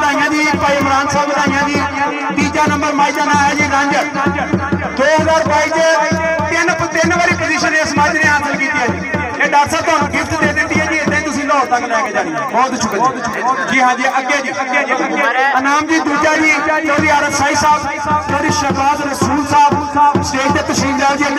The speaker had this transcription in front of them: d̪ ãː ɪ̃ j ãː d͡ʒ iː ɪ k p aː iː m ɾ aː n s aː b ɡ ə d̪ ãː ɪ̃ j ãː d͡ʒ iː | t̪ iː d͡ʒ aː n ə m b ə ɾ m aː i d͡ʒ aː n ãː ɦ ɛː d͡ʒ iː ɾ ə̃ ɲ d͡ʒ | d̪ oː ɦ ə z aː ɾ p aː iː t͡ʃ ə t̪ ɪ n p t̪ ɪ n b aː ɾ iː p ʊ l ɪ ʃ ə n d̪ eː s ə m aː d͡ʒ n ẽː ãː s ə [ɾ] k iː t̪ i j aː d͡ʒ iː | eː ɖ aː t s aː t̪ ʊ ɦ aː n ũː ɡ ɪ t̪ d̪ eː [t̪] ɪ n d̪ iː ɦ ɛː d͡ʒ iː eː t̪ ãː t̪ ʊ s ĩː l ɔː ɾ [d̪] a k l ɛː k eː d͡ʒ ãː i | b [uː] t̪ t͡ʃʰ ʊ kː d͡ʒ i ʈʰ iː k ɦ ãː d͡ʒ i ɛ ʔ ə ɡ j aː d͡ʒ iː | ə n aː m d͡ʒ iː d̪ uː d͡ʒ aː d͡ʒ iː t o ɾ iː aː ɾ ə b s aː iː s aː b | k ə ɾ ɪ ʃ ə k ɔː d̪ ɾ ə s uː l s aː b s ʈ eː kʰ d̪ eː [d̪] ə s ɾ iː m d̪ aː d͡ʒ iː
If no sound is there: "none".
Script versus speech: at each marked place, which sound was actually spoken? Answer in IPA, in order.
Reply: l, d̪, t̪, ɔː, t̪

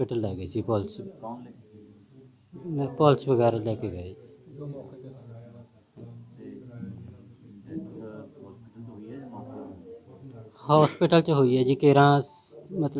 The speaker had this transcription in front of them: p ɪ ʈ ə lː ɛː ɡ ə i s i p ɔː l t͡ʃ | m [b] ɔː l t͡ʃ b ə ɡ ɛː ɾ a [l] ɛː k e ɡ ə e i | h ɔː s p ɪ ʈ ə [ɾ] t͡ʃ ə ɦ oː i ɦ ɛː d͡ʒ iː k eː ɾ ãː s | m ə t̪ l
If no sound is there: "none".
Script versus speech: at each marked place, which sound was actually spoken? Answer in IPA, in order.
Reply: p, l, l

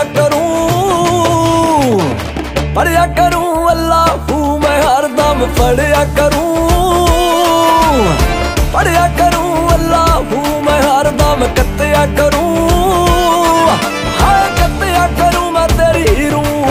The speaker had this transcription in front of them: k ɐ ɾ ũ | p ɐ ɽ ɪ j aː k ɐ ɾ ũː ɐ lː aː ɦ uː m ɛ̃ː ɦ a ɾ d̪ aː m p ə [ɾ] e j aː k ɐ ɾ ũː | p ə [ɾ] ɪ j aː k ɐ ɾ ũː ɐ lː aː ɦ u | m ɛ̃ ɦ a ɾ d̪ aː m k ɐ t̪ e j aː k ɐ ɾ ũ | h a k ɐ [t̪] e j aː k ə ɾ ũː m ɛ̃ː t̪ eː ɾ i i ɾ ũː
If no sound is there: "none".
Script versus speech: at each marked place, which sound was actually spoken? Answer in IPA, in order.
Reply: ɽ, ɽ, t̪

